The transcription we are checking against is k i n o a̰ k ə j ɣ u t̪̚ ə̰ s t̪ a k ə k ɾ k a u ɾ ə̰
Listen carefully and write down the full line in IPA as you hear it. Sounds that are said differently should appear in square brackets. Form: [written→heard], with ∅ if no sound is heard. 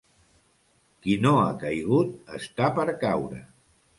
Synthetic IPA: k i n o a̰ k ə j ɣ u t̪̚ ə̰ s t̪ a [k→p] ə [k→∅] ɾ k a [u→w] ɾ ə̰